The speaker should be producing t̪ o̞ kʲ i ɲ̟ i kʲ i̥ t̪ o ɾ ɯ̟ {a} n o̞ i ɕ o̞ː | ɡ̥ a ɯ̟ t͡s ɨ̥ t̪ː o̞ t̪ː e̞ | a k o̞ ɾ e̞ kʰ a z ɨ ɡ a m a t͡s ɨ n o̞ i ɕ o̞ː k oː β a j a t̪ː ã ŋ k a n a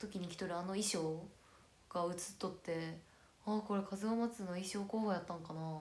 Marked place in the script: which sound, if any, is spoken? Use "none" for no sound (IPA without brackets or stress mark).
a